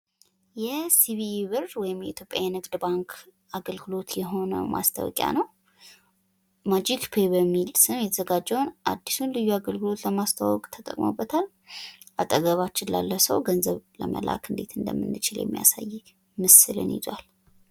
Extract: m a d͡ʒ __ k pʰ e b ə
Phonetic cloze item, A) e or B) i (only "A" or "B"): B